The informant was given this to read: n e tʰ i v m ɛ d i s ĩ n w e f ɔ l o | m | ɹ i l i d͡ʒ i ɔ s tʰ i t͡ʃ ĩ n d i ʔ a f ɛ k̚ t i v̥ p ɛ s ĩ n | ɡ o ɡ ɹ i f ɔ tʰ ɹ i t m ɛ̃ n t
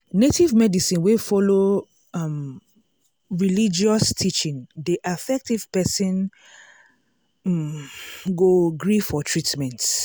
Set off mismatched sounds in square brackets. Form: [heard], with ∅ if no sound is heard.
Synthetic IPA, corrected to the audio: n e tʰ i v m ɛ d i s ĩ n w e f ɔ l o | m | ɹ i l i d͡ʒ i ɔ s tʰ i t͡ʃ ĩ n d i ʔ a f ɛ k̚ t i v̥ p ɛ s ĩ n | ɡ o ɡ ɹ i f ɔ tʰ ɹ i t m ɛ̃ n t